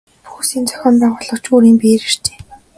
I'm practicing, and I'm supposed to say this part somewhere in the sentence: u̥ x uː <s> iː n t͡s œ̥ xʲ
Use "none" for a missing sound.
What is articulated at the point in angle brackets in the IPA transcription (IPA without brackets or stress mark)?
s